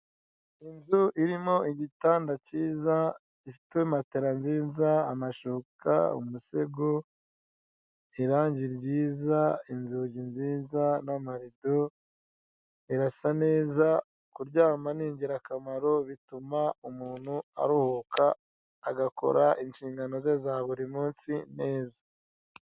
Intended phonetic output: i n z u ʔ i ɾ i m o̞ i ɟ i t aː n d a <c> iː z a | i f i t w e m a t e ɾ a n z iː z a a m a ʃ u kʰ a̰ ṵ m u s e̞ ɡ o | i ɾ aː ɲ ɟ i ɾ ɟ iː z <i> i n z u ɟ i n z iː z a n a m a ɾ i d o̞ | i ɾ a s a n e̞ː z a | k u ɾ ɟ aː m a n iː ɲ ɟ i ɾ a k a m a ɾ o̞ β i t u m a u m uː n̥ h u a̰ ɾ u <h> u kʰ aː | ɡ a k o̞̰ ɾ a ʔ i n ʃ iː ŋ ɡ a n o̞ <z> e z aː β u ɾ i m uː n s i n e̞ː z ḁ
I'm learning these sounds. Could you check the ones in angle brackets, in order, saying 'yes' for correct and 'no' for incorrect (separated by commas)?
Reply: yes, no, yes, yes